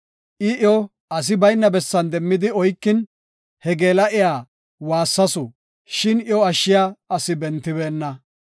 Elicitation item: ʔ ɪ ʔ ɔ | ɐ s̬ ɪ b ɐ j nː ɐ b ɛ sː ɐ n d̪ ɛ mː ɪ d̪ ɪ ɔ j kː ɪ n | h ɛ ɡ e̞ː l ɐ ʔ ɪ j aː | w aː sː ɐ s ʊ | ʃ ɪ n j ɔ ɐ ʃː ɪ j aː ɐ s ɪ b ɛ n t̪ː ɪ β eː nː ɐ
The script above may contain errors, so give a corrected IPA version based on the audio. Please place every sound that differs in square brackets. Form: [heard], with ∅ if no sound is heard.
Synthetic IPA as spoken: ʔ ɪ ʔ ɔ | ɐ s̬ ɪ b ɐ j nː ɐ b ɛ sː ɐ n d̪ ɛ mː ɪ d̪ ɪ ɔ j kː ɪ n | h ɛ ɡ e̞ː l ɐ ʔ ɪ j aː | w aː sː ɐ s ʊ | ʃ ɪ n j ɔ ɐ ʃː ɪ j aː ɐ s ɪ b ɛ n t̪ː ɪ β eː nː ɐ

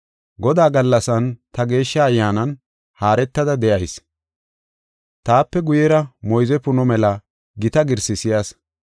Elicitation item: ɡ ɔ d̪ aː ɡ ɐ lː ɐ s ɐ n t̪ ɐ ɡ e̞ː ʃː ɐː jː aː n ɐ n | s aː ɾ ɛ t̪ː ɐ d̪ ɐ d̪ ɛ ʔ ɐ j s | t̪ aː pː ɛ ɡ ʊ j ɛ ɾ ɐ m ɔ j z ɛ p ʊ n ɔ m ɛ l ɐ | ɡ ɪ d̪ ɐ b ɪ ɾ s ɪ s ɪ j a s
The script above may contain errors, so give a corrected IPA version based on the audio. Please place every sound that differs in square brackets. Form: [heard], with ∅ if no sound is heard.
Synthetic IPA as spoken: ɡ ɔ d̪ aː ɡ ɐ lː ɐ s ɐ n t̪ ɐ ɡ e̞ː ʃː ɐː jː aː n ɐ n | [h] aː ɾ ɛ t̪ː ɐ d̪ ɐ d̪ ɛ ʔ ɐ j s | t̪ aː pː ɛ ɡ ʊ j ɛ ɾ ɐ m ɔ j z ɛ p ʊ n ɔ m ɛ l ɐ | ɡ ɪ [t̪] ɐ [ɡ] ɪ ɾ s ɪ s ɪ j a s

